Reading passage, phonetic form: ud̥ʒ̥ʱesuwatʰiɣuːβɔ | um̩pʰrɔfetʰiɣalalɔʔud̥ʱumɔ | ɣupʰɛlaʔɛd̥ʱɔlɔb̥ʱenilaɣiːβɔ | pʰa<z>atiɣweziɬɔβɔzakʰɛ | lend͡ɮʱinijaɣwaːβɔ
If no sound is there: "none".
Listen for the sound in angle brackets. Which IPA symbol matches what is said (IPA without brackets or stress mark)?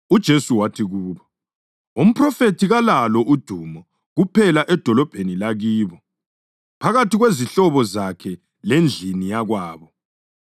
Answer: ɣ